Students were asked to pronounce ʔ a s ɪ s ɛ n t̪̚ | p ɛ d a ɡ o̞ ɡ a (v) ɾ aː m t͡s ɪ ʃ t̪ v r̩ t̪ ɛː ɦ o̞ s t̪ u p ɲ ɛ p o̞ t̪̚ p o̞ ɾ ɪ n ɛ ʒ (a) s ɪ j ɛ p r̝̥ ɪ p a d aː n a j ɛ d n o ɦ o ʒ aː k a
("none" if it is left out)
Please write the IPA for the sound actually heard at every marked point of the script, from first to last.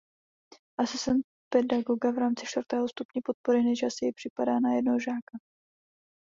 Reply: v, a

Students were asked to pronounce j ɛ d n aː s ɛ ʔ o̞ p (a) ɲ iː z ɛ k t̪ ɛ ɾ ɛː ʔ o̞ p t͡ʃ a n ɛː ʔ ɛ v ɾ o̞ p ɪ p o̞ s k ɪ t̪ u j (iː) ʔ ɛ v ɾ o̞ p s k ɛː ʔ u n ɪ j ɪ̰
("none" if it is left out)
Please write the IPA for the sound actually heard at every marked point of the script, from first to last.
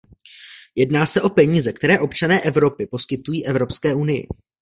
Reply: ɛ, iː

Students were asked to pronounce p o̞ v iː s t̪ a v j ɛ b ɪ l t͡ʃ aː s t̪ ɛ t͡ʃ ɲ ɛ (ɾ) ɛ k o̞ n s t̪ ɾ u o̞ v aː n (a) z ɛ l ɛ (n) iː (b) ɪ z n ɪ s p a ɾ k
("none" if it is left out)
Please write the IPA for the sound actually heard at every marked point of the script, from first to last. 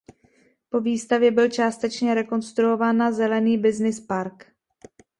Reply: ɾ, a, n, b

